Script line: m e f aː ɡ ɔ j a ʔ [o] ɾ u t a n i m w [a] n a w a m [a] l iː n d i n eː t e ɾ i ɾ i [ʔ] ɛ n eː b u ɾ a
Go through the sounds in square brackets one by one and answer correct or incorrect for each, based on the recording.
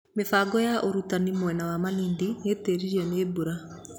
correct, incorrect, correct, incorrect

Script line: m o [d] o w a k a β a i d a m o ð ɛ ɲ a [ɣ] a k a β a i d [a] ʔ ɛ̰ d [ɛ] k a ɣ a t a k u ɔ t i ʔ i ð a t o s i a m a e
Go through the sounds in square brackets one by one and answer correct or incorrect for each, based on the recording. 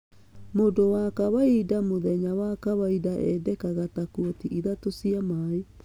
correct, incorrect, correct, correct

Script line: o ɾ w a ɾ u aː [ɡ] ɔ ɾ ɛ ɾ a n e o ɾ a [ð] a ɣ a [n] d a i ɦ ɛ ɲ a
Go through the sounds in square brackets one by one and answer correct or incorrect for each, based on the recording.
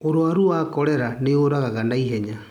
incorrect, incorrect, correct

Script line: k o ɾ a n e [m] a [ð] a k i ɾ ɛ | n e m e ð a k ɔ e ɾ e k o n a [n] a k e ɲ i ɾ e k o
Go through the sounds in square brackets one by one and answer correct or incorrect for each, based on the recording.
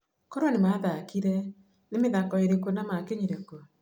correct, correct, incorrect

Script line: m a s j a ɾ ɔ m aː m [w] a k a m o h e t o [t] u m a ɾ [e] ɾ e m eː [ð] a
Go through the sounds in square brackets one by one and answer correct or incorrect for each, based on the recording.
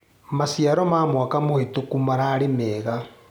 correct, incorrect, incorrect, incorrect

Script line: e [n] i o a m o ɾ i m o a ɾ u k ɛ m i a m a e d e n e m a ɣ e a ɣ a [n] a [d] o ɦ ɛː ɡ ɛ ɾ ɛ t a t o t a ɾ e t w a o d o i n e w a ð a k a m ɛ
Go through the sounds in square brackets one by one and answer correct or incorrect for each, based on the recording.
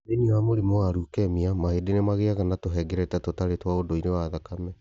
correct, correct, incorrect

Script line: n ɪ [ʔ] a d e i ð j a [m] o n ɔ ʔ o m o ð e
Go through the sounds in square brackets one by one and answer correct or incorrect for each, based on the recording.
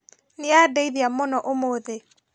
incorrect, correct

